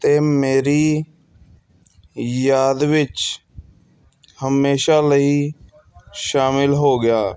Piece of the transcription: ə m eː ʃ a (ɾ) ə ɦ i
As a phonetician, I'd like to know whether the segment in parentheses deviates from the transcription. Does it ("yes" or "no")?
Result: yes